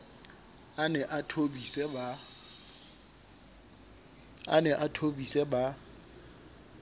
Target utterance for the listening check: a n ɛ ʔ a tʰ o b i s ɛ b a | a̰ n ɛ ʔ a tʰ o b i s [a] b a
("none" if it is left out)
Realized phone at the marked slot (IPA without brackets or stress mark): ɛ